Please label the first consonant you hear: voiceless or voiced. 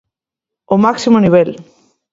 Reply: voiced